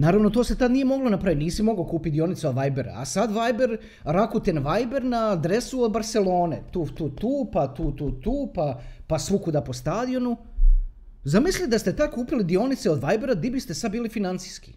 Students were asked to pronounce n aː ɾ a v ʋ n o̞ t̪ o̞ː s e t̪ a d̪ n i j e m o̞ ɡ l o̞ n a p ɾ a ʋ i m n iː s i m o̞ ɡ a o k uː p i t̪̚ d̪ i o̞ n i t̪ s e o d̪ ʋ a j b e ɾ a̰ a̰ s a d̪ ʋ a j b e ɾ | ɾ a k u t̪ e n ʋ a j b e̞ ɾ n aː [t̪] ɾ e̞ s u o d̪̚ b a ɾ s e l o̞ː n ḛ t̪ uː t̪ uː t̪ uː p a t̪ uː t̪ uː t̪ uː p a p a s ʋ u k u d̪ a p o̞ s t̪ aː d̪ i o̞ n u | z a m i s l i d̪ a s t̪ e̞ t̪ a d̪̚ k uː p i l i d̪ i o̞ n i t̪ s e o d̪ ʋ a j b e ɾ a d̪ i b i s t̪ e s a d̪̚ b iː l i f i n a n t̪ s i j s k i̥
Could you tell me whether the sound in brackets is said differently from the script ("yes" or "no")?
yes